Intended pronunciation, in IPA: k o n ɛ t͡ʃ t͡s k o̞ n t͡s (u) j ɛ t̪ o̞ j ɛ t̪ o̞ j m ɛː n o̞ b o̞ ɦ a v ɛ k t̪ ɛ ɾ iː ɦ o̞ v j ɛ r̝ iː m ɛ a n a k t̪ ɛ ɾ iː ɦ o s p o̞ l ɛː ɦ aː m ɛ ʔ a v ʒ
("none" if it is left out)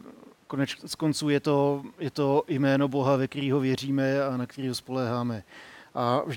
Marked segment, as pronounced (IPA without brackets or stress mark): uː